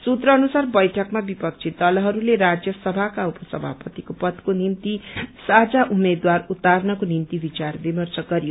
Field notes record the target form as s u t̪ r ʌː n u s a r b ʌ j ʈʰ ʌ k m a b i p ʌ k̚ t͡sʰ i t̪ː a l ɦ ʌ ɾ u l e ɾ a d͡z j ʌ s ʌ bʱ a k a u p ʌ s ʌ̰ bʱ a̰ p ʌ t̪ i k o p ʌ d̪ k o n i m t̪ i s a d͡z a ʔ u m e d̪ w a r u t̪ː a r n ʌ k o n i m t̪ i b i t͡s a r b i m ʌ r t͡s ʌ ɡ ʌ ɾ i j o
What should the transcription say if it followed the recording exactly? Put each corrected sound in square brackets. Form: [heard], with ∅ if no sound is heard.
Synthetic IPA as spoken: s u t̪ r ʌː n u s a r b ʌ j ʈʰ ʌ k m a b i p ʌ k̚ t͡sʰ i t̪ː [ʌ] l ɦ ʌ ɾ u l e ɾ a d͡z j ʌ s ʌ bʱ a k a u p ʌ s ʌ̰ bʱ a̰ p ʌ t̪ i k o p ʌ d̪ k o n i m t̪ i s a d͡z a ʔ u m e d̪ w a r u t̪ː a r n ʌ k o n i m t̪ i b i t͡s a r b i m ʌ r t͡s ʌ ɡ ʌ ɾ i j o